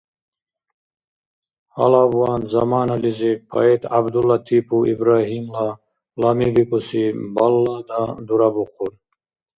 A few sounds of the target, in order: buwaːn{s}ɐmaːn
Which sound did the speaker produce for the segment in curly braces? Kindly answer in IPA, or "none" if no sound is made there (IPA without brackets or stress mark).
z